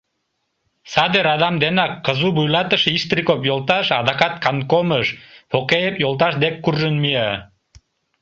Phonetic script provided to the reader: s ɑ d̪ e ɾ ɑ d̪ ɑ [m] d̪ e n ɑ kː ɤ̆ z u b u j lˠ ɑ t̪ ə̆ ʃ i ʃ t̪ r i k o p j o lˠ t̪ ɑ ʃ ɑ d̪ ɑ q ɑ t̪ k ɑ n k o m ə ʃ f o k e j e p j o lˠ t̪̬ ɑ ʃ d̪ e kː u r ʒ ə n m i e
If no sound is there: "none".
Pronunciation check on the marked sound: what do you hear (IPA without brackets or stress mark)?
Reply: m